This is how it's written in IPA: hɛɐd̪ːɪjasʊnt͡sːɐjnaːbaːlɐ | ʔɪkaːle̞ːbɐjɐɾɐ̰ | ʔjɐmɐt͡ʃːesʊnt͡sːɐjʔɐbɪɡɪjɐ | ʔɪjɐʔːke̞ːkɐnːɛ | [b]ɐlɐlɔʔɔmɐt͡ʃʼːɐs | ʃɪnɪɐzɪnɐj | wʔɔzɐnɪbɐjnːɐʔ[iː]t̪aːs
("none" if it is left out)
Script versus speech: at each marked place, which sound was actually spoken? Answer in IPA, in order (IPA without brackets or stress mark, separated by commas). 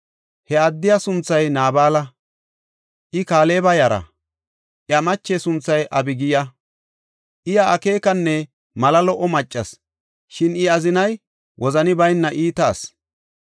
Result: m, iː